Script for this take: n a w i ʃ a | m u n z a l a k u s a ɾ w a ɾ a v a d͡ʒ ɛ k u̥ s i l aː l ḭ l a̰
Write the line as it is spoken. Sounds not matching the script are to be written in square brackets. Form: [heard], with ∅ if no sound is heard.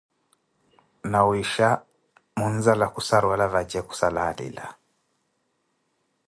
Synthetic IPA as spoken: n a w i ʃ a | m u n z a l a k u s a ɾ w a [l] a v a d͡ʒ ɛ k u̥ s [a] l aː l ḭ l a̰